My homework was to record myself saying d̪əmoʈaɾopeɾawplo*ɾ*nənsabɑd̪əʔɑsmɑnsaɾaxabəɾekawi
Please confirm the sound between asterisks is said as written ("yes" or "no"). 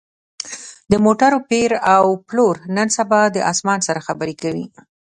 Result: yes